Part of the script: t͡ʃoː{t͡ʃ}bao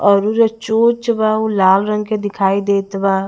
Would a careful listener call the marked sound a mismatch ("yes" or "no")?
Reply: no